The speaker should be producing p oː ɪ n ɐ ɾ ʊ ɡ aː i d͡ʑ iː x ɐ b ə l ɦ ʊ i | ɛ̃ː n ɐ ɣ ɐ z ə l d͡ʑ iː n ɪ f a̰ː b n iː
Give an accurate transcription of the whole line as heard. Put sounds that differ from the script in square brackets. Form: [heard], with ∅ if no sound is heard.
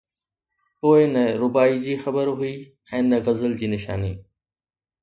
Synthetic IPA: p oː ɪ n ɐ ɾ ʊ [b] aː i d͡ʑ iː x ɐ b ə [ɾ] ɦ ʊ i | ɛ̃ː n ɐ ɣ ɐ z ə l d͡ʑ iː n ɪ [ʃ] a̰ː [∅] n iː